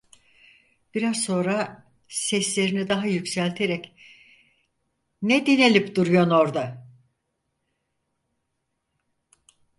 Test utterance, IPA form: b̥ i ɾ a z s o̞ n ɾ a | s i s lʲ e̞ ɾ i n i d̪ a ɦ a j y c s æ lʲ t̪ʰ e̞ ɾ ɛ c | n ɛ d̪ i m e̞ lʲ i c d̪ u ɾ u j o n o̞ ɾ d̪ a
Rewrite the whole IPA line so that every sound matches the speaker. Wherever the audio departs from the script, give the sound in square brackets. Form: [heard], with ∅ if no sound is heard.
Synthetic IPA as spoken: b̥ i ɾ a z s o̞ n ɾ a | s [ɛ] s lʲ e̞ ɾ i n i d̪ a ɦ a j y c s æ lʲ t̪ʰ e̞ ɾ ɛ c | n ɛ d̪ i [n] e̞ lʲ i [p] d̪ u ɾ u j o n o̞ ɾ d̪ a

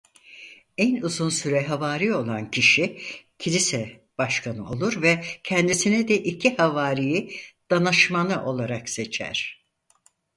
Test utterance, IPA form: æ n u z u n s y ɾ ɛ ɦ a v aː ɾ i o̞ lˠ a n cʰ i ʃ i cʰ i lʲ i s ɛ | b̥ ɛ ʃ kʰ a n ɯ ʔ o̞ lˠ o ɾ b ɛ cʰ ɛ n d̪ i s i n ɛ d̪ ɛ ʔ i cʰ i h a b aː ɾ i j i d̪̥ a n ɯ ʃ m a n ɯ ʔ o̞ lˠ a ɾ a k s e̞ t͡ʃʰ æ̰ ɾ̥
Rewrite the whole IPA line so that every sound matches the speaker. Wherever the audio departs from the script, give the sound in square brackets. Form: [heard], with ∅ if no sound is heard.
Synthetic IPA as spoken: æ n u z u n s y ɾ ɛ ɦ a v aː ɾ i o̞ lˠ a n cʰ i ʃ i cʰ i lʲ i s ɛ | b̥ [a] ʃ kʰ a n ɯ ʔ o̞ lˠ [u] ɾ [v] ɛ cʰ ɛ n d̪ i s i n ɛ d̪ ɛ ʔ i cʰ i h a [v] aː ɾ i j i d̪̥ a n ɯ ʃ m a n ɯ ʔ o̞ lˠ a ɾ a k s e̞ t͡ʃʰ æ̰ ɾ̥

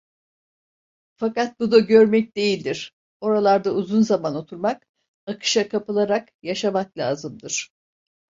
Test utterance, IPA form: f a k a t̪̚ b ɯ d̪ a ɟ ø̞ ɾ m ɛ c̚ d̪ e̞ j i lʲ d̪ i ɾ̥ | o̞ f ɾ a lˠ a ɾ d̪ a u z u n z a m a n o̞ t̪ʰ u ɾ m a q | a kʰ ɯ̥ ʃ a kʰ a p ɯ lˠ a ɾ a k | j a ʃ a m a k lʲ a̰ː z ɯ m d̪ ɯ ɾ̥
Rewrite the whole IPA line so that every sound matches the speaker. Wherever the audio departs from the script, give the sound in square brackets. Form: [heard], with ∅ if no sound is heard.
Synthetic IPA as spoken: f a k a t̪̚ b [u] d̪ a ɟ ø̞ ɾ m ɛ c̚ d̪ e̞ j i lʲ d̪ i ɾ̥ | o̞ [∅] ɾ a lˠ a ɾ d̪ a u z u n z a m a n o̞ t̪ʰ u ɾ m a [k] | a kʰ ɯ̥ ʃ a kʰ a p ɯ lˠ a ɾ a k | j a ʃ a m a k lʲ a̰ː z ɯ m d̪ ɯ ɾ̥

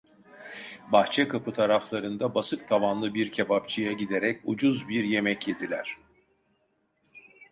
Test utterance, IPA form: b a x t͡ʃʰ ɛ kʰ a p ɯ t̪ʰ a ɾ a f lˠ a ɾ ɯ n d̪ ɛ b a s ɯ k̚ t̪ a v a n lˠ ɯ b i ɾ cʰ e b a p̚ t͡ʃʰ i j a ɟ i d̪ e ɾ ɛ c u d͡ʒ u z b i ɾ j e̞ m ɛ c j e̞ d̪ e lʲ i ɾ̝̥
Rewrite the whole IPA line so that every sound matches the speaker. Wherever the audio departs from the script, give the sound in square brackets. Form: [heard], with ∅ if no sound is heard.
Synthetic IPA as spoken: b a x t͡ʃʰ ɛ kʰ a p ɯ t̪ʰ a ɾ a f lˠ a ɾ ɯ n d̪ [a] b a s ɯ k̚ [t̪ʰ] a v a n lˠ ɯ b i ɾ cʰ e b a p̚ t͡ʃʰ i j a ɟ i d̪ e ɾ ɛ c u d͡ʒ u z b i ɾ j e̞ m ɛ c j e̞ d̪ [i] lʲ [æ] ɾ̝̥

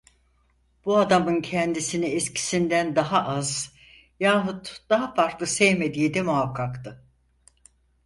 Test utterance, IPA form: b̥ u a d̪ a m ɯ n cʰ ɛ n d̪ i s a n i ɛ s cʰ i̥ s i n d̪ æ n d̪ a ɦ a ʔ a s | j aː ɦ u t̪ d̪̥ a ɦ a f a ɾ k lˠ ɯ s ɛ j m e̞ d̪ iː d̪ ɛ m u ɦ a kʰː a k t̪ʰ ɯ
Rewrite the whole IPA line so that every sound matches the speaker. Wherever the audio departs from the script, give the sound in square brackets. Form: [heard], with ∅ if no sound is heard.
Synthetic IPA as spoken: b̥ u a d̪ a m ɯ n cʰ ɛ n d̪ i s [i] n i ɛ s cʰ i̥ s i n d̪ æ n d̪ a ɦ a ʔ a [z] | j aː ɦ u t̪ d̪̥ a ɦ a f a ɾ k lˠ ɯ s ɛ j m e̞ d̪ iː d̪ ɛ m u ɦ a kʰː a k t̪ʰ ɯ

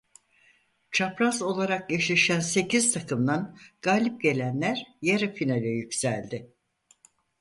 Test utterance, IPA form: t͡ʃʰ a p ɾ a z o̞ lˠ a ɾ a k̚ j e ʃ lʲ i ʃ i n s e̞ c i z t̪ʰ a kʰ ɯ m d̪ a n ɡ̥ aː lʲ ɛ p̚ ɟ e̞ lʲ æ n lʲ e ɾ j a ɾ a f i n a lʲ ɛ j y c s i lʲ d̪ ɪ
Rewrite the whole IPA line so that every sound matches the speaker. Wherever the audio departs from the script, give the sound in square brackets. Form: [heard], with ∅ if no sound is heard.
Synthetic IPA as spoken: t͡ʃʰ a p ɾ a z o̞ lˠ a ɾ a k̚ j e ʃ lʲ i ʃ [æ] n s e̞ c i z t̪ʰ a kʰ ɯ m d̪ a n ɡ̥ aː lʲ [i] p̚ ɟ e̞ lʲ æ n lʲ [æ] ɾ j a ɾ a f i n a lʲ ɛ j y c s [æ] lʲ d̪ ɪ

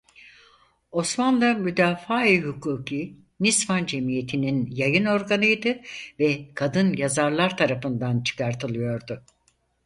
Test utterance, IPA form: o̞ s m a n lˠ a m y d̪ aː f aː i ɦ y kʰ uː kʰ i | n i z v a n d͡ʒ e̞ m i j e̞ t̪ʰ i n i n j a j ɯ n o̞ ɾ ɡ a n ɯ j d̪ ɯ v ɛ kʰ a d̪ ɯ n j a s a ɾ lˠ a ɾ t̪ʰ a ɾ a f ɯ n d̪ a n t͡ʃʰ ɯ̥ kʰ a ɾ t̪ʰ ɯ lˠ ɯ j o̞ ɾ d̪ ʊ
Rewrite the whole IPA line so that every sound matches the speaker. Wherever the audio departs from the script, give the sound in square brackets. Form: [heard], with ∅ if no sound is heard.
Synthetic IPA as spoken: o̞ s m a n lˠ a m y d̪ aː f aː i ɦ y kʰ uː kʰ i | n i [s] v a n d͡ʒ e̞ m i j e̞ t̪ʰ i n i n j a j ɯ n o̞ ɾ ɡ a n ɯ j d̪ ɯ v ɛ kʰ a d̪ ɯ n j a [z] a ɾ lˠ a ɾ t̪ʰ a ɾ a f ɯ n d̪ a n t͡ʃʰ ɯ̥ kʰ a ɾ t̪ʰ ɯ lˠ ɯ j o̞ ɾ d̪ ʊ

